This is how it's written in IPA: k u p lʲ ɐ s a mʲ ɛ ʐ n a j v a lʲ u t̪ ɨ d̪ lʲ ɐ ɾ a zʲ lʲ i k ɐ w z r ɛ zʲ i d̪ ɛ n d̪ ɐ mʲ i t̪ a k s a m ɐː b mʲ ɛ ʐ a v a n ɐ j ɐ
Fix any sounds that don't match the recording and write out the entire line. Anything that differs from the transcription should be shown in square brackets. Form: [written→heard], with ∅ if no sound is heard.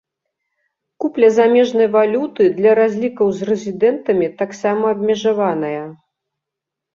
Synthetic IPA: k u p lʲ ɐ [s→z] a mʲ ɛ ʐ n [a→ɐ] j v a lʲ u t̪ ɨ d̪ lʲ ɐ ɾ a zʲ lʲ i k ɐ w z r ɛ zʲ i d̪ ɛ n [d̪→t̪] ɐ mʲ i t̪ a k s a m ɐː b mʲ ɛ ʐ a v a n ɐ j ɐ

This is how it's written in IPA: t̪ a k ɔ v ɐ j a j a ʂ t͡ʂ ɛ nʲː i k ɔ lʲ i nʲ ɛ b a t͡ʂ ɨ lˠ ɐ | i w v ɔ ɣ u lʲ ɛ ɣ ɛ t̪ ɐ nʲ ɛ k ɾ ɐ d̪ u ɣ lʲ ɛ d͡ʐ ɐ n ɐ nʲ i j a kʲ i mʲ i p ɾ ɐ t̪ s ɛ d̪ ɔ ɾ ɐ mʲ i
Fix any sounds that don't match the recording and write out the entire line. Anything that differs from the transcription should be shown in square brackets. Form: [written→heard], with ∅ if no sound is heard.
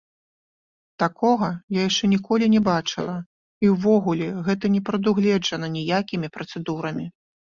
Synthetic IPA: t̪ a k ɔ [v→ɣ] ɐ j a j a ʂ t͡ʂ ɛ [nʲː→nʲ] i k ɔ lʲ i nʲ ɛ b a t͡ʂ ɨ lˠ ɐ | i w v ɔ ɣ u lʲ ɛ ɣ ɛ t̪ ɐ nʲ ɛ [k→p] ɾ ɐ d̪ u ɣ lʲ ɛ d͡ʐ ɐ n ɐ nʲ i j a kʲ i mʲ i p ɾ ɐ t̪ s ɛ d̪ [ɔ→u] ɾ ɐ mʲ i

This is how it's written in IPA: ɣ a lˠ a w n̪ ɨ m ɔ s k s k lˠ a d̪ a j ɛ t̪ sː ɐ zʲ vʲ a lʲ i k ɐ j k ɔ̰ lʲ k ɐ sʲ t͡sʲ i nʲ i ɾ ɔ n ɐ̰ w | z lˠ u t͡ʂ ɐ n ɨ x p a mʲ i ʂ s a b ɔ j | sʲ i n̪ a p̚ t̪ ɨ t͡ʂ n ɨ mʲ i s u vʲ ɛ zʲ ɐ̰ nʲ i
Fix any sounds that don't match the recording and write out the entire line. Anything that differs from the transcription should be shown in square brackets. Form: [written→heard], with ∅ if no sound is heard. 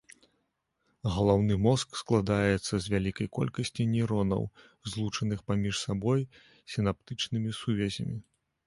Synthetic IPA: ɣ [a→ɐ] lˠ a w n̪ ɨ m ɔ s k s k lˠ a d̪ a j ɛ t̪ sː ɐ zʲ vʲ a lʲ i k ɐ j k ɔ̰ lʲ k ɐ sʲ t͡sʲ i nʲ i ɾ ɔ n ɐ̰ w | z lˠ u t͡ʂ ɐ n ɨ x p a mʲ i ʂ s a b ɔ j | sʲ i n̪ a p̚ t̪ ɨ t͡ʂ n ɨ mʲ i s u vʲ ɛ zʲ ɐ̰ [nʲ→mʲ] i

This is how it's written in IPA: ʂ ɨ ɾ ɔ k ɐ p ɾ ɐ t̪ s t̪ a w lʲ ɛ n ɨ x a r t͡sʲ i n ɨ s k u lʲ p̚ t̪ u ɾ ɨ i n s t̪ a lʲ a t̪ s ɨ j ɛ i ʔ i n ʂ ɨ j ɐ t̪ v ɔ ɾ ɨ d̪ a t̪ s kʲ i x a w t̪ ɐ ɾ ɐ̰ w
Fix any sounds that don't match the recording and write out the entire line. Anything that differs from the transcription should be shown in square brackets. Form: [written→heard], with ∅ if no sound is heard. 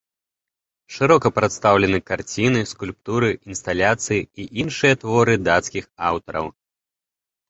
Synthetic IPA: ʂ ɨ ɾ ɔ k ɐ p ɾ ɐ t̪ s t̪ a w lʲ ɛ n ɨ [x→k] a r t͡sʲ i n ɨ s k u lʲ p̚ t̪ u ɾ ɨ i n s t̪ a lʲ a t̪ s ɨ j [ɛ→i] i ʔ i n ʂ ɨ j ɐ t̪ v ɔ ɾ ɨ d̪ a t̪ s kʲ i x a w t̪ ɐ ɾ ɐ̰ w

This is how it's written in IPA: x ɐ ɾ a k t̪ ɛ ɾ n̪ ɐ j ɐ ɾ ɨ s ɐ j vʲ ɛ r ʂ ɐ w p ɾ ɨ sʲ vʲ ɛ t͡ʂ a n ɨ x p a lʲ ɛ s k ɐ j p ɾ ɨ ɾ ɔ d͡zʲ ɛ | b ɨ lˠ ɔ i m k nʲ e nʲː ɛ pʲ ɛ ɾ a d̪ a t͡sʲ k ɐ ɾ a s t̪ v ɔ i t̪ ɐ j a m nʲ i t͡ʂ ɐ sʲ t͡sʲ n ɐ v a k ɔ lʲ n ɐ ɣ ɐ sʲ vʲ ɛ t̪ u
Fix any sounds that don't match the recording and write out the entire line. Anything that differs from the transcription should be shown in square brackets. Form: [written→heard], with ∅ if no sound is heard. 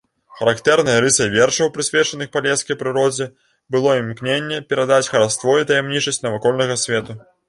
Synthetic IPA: x ɐ ɾ a k t̪ ɛ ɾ n̪ ɐ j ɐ ɾ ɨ s ɐ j vʲ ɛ r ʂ ɐ w p ɾ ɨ sʲ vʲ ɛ t͡ʂ [a→ɐ] n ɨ x p a lʲ ɛ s k ɐ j p ɾ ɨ ɾ ɔ d͡zʲ ɛ | b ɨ lˠ ɔ i m k nʲ e nʲː ɛ pʲ ɛ ɾ a d̪ a t͡sʲ [k→x] ɐ ɾ a s t̪ v ɔ i t̪ ɐ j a m nʲ i t͡ʂ ɐ sʲ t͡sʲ n ɐ v a k ɔ lʲ n ɐ ɣ ɐ sʲ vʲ ɛ t̪ u

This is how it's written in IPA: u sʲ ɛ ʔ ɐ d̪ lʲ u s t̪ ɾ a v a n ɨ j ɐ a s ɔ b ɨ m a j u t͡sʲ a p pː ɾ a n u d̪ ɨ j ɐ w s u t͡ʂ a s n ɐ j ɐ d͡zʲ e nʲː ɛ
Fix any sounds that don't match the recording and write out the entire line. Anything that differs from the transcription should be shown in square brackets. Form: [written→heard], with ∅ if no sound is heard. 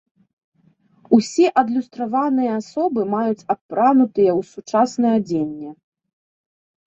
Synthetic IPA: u sʲ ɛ ʔ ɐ d̪ lʲ u s t̪ ɾ a v a n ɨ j ɐ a s ɔ b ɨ m a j u t͡sʲ a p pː ɾ a n u [d̪→t̪] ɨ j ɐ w s u t͡ʂ a s n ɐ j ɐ d͡zʲ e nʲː ɛ

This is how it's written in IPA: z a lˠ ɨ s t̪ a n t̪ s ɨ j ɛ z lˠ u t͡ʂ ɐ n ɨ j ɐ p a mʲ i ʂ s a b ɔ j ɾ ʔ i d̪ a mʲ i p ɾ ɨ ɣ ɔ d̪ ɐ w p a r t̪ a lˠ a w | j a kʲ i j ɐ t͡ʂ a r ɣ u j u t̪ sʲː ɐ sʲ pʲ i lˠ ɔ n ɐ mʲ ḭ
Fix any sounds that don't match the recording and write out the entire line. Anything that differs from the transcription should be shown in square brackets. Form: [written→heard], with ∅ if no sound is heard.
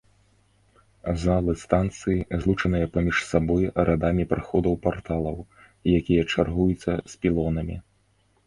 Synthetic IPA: z a lˠ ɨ s t̪ a n t̪ s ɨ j [ɛ→i] z lˠ u t͡ʂ ɐ n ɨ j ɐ p a mʲ i ʂ s a b ɔ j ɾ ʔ [i→a] d̪ a mʲ i p ɾ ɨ [ɣ→x] ɔ d̪ ɐ w p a r t̪ a lˠ [a→ɐ] w | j a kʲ i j ɐ t͡ʂ a r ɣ u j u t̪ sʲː ɐ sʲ pʲ i lˠ ɔ n ɐ mʲ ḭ

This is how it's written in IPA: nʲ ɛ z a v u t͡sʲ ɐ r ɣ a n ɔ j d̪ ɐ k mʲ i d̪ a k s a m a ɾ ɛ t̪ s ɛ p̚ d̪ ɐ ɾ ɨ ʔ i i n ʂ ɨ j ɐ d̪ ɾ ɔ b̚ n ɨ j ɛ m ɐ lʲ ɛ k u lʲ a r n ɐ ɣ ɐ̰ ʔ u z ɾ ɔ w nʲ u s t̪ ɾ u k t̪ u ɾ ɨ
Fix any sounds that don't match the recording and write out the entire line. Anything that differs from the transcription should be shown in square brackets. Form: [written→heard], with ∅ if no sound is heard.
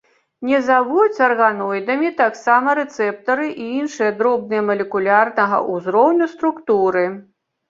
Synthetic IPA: nʲ ɛ z a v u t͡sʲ ɐ r ɣ a n ɔ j d̪ ɐ [k→∅] mʲ i [d̪→t̪] a k s a m [a→ɐ] ɾ ɛ t̪ s ɛ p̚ [d̪→t̪] ɐ ɾ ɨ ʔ i i n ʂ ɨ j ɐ d̪ ɾ ɔ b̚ n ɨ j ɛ m ɐ lʲ ɛ k u lʲ a r n ɐ ɣ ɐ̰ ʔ u z ɾ ɔ w nʲ u s t̪ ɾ u k t̪ u ɾ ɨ

